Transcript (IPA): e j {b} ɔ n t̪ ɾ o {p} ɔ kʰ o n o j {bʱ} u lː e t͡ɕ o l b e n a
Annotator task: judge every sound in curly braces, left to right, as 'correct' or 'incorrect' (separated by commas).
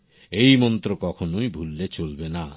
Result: incorrect, incorrect, correct